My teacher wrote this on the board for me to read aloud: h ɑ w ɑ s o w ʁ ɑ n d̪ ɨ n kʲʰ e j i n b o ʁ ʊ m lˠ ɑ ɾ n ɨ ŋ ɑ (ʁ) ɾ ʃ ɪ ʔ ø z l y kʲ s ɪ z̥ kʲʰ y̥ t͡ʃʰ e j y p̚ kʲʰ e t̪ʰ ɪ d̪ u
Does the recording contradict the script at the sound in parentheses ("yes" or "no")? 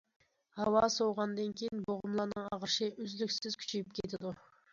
no